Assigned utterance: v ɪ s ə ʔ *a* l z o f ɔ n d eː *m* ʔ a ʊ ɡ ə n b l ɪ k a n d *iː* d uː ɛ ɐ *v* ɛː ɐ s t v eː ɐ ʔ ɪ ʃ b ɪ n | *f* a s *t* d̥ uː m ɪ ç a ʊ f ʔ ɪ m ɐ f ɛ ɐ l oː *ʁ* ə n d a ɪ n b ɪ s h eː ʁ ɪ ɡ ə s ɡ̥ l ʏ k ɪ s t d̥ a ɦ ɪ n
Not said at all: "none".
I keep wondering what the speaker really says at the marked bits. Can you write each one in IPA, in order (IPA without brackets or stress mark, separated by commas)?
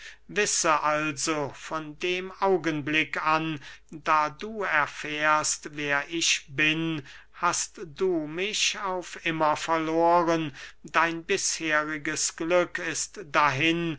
a, m, aː, f, h, t, ʁ